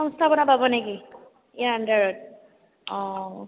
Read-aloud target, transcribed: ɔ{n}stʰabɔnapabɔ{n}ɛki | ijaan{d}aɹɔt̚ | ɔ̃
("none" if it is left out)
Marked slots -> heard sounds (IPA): ŋ, n, d

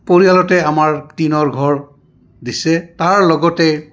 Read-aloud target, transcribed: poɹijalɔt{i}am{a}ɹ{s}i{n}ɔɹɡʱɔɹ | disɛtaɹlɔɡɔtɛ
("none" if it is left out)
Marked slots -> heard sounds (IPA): ɛ, a, t, n

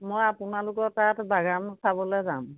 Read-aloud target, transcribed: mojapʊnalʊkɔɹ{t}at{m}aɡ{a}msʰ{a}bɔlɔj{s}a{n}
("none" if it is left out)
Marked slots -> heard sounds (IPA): t, b, a, a, z, m

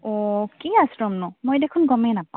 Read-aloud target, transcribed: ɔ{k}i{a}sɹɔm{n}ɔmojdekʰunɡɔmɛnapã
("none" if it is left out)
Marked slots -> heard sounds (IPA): k, a, n

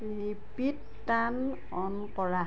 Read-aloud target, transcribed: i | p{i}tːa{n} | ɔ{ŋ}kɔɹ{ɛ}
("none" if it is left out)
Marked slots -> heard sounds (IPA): i, n, n, a

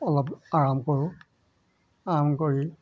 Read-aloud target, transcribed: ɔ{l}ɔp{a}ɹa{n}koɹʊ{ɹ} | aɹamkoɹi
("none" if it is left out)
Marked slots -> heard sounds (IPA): l, a, m, none

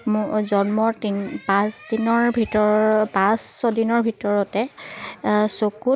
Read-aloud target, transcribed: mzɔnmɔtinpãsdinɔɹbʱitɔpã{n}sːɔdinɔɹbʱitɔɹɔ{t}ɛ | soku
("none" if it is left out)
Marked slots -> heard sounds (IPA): none, t

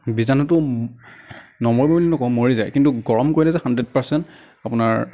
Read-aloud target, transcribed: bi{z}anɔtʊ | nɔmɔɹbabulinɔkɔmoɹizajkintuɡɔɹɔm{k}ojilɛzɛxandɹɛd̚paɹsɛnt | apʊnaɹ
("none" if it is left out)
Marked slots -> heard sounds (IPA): z, k

